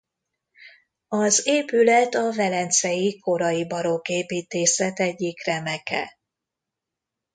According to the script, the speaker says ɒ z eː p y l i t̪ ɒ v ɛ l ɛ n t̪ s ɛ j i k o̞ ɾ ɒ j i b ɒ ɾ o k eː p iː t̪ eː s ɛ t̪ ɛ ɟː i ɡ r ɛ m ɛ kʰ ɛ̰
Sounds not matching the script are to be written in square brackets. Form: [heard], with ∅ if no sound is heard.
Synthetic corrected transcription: ɒ z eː p y l [ɛ] t̪ ɒ v ɛ l ɛ n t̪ s ɛ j i k o̞ ɾ ɒ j i b ɒ ɾ o k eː p iː t̪ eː s ɛ t̪ ɛ ɟː i [k] r ɛ m ɛ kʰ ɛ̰